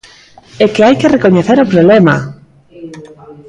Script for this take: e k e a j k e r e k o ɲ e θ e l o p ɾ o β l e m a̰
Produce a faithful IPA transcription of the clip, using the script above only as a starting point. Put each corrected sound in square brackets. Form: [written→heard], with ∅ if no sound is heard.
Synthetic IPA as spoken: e k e a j k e r e k o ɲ e θ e [l→ɾ] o p ɾ o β l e m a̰

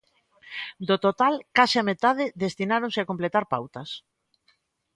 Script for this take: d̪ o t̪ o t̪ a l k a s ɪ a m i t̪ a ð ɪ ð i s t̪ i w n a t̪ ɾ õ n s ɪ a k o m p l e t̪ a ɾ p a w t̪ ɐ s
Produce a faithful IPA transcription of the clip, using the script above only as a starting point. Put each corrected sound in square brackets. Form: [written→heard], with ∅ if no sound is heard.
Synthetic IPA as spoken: d̪ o t̪ o t̪ a l k a s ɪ a m [i→e] t̪ a ð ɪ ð [i→e] s t̪ i [w→∅] n a [t̪→∅] ɾ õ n s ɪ a k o m p l e t̪ a ɾ p a w t̪ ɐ s

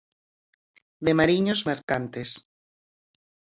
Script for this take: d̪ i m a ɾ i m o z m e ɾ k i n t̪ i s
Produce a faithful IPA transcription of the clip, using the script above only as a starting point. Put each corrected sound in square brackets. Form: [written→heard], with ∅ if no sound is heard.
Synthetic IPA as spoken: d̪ [i→e] m a ɾ i [m→ɲ] o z m e ɾ k [i→a] n t̪ [i→e] s

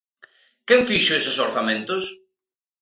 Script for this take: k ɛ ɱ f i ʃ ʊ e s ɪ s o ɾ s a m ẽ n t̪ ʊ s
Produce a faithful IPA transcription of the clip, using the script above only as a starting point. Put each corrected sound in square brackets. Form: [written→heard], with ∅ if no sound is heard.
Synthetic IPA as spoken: k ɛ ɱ f i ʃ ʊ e s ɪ s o ɾ [s→θ] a m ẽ n t̪ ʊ s

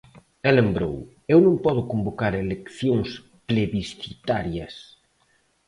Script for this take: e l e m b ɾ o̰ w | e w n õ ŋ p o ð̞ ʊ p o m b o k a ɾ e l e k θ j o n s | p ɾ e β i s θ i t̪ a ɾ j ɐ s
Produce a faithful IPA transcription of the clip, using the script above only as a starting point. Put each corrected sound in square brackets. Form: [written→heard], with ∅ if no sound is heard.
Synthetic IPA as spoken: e l e m b ɾ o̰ w | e w n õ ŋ p [o→ɔ] ð̞ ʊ [p→k] o m b o k a ɾ e l e k θ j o [n→ŋ] s | p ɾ e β i s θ i t̪ a ɾ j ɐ s

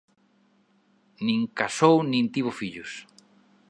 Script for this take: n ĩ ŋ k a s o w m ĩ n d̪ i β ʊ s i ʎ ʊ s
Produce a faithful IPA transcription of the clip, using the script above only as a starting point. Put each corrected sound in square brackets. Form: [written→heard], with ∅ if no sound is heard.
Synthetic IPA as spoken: n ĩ ŋ k a s o w [m→n] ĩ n [d̪→t̪] i β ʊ [s→f] i ʎ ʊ s

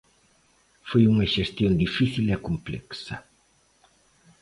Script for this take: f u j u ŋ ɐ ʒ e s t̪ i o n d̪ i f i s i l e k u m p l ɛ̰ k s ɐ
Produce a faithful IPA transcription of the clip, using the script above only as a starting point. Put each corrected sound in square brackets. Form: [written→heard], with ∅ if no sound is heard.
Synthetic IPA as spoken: f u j u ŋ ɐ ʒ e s t̪ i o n d̪ i f i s i l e k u m p l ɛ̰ k s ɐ

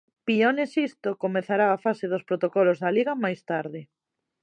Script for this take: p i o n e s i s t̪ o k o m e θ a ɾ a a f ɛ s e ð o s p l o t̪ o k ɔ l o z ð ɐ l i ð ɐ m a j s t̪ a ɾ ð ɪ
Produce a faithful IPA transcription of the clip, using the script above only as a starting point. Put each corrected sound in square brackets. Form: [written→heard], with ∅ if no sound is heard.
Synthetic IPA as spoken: p i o n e s i s t̪ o k o m e θ a ɾ a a f [ɛ→a] s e ð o s p [l→ɾ] o t̪ o k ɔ l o z ð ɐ l i [ð→ɣ] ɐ m a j s t̪ a ɾ ð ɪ

